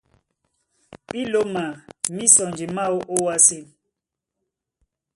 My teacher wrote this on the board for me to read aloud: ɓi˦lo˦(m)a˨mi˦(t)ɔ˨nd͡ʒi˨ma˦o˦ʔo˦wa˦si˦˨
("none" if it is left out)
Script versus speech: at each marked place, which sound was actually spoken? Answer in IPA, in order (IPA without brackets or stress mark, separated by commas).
m, s